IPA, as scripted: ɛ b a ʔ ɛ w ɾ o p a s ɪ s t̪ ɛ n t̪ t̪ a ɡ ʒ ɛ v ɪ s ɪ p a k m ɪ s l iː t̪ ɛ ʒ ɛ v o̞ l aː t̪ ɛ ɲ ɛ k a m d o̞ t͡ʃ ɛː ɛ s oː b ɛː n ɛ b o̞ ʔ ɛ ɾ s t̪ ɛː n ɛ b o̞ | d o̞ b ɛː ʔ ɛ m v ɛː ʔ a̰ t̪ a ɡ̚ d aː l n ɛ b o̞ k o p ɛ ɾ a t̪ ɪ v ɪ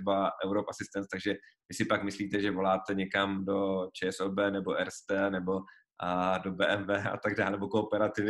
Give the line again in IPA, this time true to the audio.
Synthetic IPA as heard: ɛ b a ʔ ɛ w ɾ o p a s ɪ s t̪ ɛ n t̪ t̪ a ɡ ʒ ɛ v ɪ s ɪ p a k m ɪ s l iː t̪ ɛ ʒ ɛ v o̞ l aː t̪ ɛ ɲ ɛ k a m d o̞ t͡ʃ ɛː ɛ s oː b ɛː n ɛ b o̞ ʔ ɛ ɾ s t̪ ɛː n ɛ b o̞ | d o̞ b ɛː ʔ ɛ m v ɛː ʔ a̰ t̪ a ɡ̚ d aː l n ɛ b o̞ k o p ɛ ɾ a t̪ ɪ v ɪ